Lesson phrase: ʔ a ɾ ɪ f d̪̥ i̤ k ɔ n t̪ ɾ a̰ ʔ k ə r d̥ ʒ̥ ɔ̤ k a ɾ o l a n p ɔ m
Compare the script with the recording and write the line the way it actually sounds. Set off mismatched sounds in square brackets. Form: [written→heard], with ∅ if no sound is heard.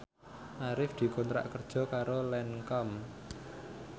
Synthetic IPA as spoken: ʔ a ɾ ɪ f d̪̥ i̤ k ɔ n t̪ ɾ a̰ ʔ k ə r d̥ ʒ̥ ɔ̤ k a ɾ o l [a→ɛ] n [p→k] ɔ m